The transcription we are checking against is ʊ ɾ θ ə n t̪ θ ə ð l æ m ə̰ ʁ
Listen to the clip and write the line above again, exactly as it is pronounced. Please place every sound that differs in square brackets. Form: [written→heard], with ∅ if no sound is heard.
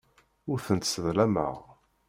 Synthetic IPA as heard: ʊ ɾ θ ə n t̪ [θ→s] ə ð l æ m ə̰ ʁ